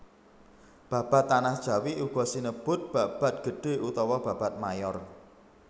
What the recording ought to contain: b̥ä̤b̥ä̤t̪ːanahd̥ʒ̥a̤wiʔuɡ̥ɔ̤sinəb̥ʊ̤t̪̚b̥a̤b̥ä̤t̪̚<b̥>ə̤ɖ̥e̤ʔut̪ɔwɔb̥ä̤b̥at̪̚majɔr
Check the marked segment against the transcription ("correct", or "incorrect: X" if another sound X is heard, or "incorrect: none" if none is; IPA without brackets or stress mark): incorrect: ɡ̥